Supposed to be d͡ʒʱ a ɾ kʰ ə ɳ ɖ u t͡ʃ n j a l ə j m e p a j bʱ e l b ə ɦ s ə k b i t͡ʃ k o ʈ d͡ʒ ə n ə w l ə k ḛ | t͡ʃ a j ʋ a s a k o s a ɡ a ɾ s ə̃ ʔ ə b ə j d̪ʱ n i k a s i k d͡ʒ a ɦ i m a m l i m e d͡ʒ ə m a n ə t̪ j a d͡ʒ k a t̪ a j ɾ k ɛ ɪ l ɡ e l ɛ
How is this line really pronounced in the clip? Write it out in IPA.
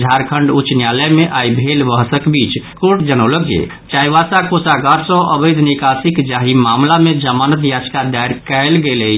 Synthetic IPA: d͡ʒʱ a ɾ kʰ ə ɳ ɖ u t͡ʃ n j a l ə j m e ʔ a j bʱ e l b ə ɦ s ə k b i t͡ʃ k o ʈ d͡ʒ ə n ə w l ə k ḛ | t͡ʃ a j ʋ a s a k o s a ɡ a ɾ s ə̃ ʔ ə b ə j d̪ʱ n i k a s i k d͡ʒ a ɦ i m a m l a m e d͡ʒ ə m a n ə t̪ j a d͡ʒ k a d̪ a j ɾ k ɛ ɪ l ɡ e l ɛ